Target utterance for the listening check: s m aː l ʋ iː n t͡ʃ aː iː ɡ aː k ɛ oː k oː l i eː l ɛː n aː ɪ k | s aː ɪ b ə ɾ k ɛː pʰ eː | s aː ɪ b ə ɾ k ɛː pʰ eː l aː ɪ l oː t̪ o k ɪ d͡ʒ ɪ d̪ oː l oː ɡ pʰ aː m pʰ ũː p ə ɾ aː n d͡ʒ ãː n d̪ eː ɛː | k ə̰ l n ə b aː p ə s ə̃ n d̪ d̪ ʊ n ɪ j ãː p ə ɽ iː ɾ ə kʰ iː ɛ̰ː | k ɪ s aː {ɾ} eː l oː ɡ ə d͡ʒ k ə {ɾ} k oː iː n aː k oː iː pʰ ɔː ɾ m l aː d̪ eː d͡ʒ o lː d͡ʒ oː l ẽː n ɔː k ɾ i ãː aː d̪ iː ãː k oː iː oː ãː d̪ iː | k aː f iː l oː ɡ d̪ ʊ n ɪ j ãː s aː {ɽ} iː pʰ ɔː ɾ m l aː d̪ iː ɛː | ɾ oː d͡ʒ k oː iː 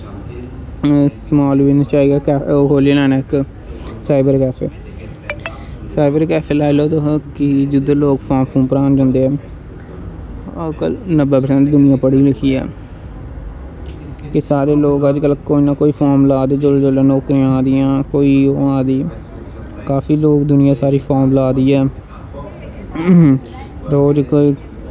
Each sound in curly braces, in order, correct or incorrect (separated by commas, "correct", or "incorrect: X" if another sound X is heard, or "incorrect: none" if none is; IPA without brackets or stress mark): correct, incorrect: l, incorrect: ɾ